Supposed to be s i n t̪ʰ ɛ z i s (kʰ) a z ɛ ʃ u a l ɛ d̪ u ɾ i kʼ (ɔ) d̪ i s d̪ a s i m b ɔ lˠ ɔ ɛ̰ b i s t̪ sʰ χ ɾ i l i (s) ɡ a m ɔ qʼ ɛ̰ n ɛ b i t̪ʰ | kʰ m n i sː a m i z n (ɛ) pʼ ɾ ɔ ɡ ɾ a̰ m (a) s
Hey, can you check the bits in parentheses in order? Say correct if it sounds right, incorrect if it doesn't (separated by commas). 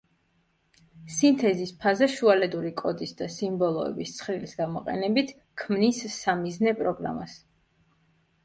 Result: incorrect, correct, correct, correct, correct